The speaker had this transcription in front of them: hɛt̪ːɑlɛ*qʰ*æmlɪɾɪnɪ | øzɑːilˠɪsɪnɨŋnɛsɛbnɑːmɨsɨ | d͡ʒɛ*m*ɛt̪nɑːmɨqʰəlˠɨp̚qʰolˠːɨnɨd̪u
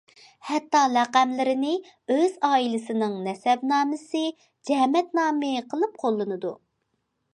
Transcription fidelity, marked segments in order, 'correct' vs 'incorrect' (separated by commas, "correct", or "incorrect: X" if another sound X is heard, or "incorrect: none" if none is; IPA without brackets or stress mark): incorrect: q, correct